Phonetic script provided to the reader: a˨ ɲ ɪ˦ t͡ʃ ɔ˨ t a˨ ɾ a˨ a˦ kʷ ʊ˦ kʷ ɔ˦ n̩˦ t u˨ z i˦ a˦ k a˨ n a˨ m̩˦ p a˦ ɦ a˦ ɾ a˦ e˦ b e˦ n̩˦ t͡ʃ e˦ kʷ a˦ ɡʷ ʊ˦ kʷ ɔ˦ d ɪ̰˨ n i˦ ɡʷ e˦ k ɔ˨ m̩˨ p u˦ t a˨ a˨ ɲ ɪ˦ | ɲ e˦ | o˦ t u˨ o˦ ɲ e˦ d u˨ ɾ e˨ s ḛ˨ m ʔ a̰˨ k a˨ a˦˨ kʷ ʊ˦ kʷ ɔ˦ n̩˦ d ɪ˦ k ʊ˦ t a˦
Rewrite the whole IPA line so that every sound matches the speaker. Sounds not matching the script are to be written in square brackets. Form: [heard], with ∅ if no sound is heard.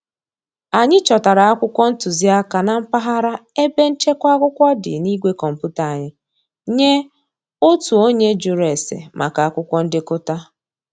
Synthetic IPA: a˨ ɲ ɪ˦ t͡ʃ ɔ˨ t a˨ ɾ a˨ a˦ kʷ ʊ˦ kʷ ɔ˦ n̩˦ t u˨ z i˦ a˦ k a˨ n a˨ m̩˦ p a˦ ɦ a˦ ɾ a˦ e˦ b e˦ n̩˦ t͡ʃ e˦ kʷ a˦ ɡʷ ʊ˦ kʷ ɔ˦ d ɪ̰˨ n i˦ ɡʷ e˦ k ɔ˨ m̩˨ p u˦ t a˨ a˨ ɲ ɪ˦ | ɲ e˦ | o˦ t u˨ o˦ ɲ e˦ [d͡ʒ] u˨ ɾ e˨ s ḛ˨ m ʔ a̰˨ k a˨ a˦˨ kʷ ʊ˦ kʷ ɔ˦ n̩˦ d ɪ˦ k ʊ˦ t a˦